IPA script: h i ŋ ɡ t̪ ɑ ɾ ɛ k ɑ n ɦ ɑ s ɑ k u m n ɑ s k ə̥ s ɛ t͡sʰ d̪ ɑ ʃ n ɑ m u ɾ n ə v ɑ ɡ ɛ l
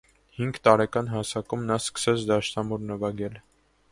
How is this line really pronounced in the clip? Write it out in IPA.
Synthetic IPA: h i ŋ ɡ t̪ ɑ ɾ ɛ k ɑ n ɦ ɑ s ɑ k u m n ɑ s k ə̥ s ɛ t͡sʰ d̪ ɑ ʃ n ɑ m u ɾ n ə v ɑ ɡ ɛ l